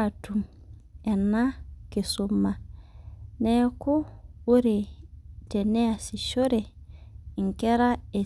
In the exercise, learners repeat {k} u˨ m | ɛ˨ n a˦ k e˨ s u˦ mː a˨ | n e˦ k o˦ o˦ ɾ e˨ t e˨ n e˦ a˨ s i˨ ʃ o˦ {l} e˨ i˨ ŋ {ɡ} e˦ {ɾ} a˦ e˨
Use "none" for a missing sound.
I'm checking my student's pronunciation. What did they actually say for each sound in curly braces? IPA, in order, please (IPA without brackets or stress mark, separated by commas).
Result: t, ɾ, k, ɾ